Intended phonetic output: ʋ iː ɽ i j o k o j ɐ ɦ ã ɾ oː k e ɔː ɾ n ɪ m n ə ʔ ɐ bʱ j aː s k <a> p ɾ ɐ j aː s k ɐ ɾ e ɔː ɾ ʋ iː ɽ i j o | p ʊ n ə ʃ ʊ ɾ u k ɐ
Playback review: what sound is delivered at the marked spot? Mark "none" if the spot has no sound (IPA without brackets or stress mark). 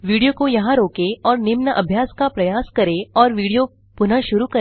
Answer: a